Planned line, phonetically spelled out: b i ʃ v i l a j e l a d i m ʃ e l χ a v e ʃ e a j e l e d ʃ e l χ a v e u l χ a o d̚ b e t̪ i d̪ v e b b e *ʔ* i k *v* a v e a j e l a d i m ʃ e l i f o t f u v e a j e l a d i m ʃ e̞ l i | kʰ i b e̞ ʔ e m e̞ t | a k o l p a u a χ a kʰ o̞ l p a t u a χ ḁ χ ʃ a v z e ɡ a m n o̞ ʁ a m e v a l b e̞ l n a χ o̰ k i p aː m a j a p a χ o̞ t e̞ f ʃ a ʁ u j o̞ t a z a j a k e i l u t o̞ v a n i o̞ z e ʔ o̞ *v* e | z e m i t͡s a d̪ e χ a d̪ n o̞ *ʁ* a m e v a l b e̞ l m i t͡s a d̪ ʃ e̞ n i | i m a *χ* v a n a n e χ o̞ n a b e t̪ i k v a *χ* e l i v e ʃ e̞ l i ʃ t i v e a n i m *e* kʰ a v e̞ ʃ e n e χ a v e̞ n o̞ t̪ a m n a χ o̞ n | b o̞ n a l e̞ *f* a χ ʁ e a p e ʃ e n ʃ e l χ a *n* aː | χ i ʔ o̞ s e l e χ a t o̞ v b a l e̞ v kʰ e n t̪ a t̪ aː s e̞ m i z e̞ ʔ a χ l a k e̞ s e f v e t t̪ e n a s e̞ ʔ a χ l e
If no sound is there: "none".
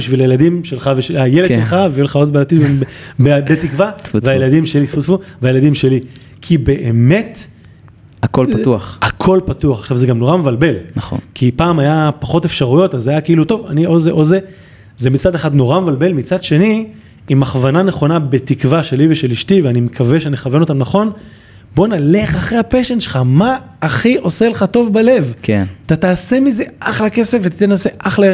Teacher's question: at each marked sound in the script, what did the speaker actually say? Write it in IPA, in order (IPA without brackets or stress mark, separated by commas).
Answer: t, v, z, ʁ, χ, ʃ, e, χ, m